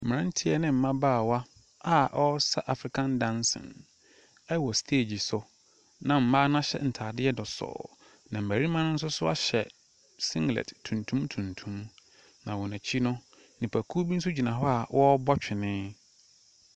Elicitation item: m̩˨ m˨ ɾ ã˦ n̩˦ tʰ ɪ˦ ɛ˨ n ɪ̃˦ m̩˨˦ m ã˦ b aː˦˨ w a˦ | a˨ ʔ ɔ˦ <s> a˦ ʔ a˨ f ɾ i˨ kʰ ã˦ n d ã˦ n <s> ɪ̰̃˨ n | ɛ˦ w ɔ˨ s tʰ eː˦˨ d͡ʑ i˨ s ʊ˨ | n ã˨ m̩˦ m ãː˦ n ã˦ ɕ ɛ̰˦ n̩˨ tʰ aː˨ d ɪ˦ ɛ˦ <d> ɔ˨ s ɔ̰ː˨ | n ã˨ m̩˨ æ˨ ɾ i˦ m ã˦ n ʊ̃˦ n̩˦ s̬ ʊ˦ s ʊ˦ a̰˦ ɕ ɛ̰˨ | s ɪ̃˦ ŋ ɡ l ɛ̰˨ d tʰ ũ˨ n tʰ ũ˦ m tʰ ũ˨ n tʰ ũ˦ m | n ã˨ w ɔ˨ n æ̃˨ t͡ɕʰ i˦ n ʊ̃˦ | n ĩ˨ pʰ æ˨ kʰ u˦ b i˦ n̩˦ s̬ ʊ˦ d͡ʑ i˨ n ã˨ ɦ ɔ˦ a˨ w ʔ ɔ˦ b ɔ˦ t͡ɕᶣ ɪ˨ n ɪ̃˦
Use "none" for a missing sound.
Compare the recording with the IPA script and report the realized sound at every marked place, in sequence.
s, s, d

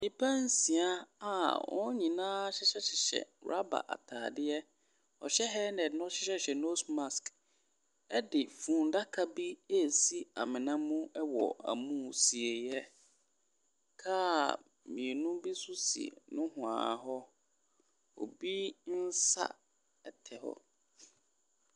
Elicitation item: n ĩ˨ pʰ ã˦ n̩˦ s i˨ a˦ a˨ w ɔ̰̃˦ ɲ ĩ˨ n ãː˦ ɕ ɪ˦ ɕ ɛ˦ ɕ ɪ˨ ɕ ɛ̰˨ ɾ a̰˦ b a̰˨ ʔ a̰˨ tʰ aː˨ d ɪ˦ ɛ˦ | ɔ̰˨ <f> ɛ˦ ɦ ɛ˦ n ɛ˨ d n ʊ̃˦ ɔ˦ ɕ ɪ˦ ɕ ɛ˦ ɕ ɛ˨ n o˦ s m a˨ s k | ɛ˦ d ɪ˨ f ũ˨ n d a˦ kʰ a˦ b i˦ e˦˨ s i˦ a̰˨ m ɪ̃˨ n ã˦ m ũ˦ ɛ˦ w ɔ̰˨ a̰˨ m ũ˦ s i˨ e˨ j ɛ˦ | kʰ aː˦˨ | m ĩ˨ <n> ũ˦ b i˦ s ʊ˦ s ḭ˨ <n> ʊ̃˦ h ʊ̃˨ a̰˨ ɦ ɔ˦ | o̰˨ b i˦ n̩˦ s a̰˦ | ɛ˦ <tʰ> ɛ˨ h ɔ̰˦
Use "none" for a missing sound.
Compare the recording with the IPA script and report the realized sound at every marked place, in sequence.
ɕ, n, n, tʰ

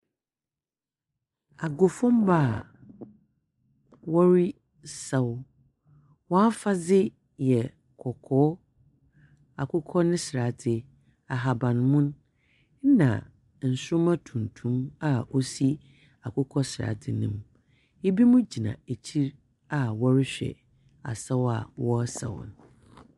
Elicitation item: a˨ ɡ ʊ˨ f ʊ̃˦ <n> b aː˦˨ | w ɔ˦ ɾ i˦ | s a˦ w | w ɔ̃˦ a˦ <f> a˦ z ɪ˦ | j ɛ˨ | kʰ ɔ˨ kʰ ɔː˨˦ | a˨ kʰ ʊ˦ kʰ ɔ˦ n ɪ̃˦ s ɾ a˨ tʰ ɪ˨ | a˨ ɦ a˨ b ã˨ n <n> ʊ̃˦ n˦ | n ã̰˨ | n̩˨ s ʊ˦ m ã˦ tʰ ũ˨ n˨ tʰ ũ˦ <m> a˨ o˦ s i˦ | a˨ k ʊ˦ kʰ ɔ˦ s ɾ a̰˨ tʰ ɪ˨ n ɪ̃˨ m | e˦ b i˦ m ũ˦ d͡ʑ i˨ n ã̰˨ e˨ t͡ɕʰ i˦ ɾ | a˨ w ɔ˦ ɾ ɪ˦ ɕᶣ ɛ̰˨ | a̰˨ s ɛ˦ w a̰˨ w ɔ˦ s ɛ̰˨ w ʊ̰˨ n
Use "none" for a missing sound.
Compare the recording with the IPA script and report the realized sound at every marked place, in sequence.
m, f, m, m

